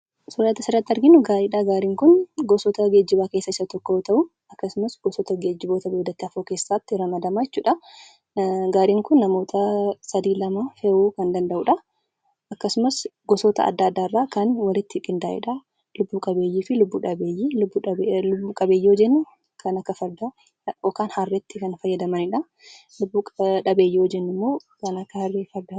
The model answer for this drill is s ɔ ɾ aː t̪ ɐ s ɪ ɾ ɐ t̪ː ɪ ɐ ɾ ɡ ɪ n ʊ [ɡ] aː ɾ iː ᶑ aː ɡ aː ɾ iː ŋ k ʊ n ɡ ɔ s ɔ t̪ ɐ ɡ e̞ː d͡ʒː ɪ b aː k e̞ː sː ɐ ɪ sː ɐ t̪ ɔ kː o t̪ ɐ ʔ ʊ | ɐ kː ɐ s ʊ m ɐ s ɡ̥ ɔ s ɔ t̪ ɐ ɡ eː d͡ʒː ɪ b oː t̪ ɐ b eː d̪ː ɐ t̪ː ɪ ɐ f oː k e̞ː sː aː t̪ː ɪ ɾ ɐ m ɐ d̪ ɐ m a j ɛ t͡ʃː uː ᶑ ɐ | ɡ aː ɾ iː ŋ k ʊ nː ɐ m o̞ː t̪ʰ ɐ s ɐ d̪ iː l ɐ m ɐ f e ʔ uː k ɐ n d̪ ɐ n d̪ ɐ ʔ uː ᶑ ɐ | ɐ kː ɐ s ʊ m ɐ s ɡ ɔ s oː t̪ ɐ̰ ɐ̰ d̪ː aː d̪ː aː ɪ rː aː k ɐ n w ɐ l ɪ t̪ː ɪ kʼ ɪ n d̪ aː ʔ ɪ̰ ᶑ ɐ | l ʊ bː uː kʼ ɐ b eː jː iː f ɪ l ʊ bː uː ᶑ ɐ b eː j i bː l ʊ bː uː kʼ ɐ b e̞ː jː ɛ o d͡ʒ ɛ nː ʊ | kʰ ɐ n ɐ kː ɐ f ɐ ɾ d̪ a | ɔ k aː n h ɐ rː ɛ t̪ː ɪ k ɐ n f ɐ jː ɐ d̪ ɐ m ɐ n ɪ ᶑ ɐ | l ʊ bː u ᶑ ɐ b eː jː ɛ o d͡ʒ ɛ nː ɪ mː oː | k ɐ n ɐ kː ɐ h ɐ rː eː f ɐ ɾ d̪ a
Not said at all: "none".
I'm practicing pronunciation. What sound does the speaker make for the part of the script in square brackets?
ɡ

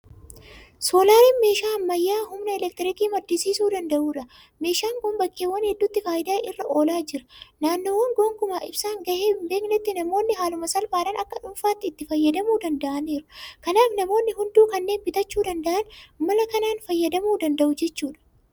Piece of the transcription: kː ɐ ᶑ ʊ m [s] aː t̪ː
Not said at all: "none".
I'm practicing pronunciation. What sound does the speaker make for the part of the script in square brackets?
f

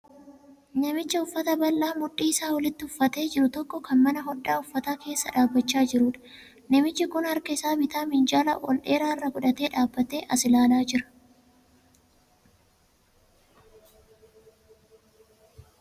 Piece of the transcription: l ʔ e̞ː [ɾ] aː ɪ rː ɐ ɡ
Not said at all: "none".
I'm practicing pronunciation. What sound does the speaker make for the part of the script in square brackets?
ɾ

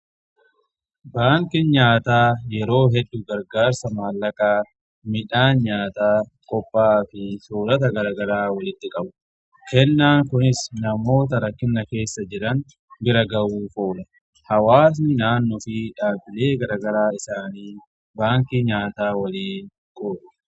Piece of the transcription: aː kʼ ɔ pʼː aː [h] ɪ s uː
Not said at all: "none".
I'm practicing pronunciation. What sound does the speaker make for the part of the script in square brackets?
f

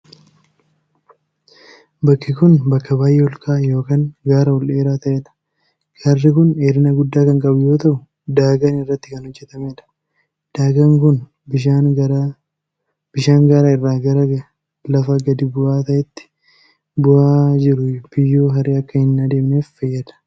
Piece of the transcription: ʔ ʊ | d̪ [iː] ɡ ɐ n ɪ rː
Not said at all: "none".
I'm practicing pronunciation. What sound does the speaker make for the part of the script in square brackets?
aː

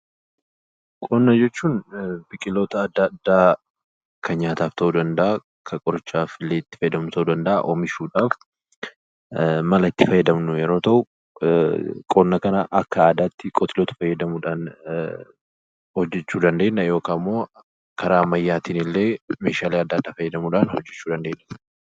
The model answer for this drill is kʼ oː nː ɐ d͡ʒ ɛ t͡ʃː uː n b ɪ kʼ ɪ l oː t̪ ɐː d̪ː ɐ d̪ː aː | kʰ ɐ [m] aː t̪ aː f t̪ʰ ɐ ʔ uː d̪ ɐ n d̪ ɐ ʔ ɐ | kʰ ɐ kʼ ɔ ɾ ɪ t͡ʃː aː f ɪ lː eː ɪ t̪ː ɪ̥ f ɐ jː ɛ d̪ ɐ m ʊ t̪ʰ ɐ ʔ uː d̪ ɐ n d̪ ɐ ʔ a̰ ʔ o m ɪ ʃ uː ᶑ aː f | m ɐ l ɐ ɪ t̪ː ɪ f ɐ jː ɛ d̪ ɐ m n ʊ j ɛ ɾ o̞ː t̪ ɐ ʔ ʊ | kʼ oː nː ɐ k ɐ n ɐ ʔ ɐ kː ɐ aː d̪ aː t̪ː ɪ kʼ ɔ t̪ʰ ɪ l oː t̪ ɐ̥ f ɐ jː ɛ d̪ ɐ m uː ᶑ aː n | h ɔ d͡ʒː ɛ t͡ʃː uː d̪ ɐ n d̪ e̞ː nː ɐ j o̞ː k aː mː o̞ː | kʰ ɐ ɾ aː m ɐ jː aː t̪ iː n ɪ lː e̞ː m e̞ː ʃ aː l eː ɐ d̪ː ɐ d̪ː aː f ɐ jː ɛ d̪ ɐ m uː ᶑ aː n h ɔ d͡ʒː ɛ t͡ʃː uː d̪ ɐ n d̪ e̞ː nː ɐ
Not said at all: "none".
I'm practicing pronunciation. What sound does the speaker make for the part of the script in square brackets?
ɲ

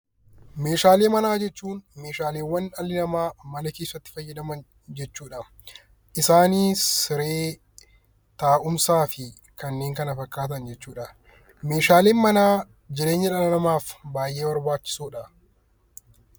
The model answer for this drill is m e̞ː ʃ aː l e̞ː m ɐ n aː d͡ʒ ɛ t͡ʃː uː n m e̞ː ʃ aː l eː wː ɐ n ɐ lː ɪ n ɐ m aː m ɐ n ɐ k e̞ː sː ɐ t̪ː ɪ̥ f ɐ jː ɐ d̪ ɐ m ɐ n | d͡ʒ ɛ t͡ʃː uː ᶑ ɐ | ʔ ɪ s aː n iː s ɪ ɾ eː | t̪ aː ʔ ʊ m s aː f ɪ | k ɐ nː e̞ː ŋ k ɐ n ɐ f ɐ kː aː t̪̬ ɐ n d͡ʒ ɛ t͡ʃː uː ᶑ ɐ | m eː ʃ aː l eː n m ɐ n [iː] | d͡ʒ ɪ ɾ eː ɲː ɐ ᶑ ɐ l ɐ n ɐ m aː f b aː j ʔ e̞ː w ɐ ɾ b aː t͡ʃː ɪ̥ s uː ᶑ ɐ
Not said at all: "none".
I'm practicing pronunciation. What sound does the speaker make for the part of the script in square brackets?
aː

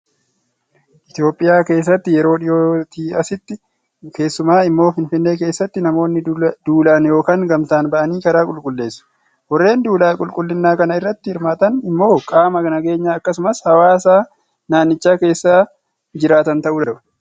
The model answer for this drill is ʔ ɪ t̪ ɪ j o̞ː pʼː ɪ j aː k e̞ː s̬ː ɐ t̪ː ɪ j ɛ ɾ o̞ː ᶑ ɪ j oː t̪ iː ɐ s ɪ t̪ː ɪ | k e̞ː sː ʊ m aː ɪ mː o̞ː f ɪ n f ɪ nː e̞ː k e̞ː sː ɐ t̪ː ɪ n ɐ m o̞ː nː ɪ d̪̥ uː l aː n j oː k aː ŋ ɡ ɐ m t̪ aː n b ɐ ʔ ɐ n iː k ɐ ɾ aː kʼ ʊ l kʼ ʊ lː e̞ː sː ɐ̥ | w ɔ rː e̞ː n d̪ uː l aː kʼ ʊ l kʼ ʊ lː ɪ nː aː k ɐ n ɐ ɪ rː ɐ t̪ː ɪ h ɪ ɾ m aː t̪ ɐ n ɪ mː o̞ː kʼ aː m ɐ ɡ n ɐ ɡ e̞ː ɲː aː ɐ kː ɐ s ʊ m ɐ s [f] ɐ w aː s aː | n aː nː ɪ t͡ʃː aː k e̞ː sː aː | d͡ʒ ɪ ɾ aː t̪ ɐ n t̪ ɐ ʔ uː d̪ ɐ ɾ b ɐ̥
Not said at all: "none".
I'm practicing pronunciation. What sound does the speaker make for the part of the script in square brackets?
h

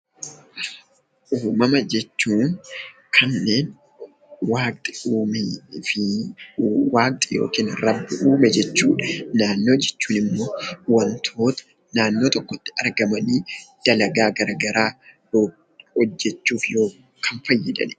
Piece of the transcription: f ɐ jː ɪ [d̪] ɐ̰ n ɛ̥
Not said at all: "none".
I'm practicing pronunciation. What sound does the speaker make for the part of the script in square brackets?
d̪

